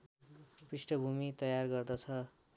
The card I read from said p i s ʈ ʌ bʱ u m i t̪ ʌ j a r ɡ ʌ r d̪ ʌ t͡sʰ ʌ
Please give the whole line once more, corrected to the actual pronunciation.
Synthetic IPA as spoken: p i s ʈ ʌ bʱ u m i t̪ ʌ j a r ɡ ʌ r d̪ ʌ t͡sʰ ʌ